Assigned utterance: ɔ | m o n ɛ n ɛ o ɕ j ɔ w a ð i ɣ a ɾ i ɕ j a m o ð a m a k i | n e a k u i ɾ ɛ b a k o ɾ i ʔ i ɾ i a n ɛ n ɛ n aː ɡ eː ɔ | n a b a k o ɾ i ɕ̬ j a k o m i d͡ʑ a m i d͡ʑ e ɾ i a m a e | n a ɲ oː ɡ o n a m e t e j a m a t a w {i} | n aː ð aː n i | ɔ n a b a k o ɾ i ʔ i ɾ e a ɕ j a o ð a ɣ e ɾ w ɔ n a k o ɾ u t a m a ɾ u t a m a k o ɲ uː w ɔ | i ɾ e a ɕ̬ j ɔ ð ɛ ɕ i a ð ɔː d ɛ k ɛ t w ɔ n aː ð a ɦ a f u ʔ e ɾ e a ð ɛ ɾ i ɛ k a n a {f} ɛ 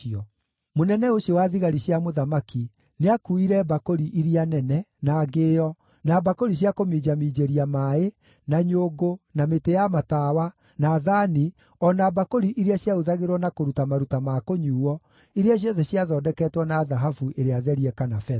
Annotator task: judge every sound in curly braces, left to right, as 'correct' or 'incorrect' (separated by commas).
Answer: incorrect, correct